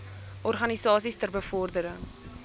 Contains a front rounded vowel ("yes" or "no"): no